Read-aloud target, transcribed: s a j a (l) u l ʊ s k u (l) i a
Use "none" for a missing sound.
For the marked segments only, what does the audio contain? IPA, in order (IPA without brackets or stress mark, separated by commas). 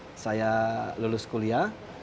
l, l